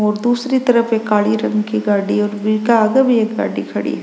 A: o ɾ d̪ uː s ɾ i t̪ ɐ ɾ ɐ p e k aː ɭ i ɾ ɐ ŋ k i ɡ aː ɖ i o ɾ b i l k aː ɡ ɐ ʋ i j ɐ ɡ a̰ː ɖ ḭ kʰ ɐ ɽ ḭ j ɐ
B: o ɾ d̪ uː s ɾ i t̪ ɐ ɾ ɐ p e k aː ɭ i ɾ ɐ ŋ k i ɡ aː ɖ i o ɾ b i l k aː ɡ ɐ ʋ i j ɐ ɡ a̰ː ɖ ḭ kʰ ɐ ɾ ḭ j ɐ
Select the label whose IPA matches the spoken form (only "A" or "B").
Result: A